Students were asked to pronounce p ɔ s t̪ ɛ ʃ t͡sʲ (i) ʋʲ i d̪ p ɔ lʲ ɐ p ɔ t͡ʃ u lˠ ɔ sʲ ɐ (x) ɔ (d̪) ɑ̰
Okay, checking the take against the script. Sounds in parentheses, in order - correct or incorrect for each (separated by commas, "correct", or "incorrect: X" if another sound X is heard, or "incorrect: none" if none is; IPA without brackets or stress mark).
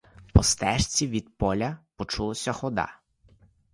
correct, correct, correct